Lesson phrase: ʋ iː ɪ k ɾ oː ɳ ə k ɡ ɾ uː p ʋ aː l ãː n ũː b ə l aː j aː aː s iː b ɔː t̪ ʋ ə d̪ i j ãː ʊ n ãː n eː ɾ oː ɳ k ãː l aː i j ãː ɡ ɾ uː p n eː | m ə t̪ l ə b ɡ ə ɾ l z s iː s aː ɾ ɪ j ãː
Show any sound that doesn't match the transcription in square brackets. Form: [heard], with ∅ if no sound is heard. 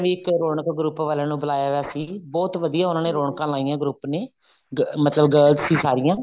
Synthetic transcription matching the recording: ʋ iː ɪ k ɾ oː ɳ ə k ɡ ɾ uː p ʋ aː l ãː n ũː b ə l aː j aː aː s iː b ɔː t̪ ʋ ə d̪ i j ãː ʊ n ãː n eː ɾ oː ɳ k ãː l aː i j ãː ɡ ɾ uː p n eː | m ə t̪ l ə b ɡ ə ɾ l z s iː s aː ɾ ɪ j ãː